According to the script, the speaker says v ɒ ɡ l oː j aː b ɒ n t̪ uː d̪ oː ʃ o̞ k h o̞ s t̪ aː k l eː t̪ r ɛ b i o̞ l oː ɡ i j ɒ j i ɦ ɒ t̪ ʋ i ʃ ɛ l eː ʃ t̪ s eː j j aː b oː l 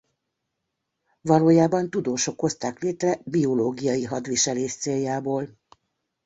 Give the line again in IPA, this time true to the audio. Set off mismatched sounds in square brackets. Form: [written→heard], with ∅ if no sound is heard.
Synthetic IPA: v ɒ [ɡ→∅] l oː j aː b ɒ n t̪ [uː→u] d̪ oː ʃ o̞ k h o̞ s t̪ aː k l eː t̪ r ɛ b i o̞ l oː ɡ i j ɒ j i ɦ ɒ [t̪→d̪] ʋ i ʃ ɛ l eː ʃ t̪ s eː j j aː b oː l

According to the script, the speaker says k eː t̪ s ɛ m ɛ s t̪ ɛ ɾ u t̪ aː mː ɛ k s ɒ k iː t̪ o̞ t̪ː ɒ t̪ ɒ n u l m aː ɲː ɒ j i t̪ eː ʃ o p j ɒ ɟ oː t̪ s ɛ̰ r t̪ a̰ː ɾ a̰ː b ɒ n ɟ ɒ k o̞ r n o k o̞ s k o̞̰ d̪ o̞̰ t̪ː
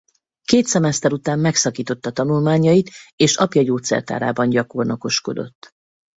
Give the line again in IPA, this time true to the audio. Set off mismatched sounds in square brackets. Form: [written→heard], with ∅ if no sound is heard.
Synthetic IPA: k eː t̪ s ɛ m ɛ s t̪ ɛ ɾ u t̪ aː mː ɛ k s ɒ k iː t̪ o̞ t̪ː ɒ t̪ ɒ n u l m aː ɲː ɒ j i t̪ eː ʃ [o→ɒ] p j ɒ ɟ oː t̪ s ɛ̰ r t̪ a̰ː ɾ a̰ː b ɒ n ɟ ɒ k o̞ r n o k o̞ [s→ʃ] k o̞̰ d̪ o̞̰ t̪ː

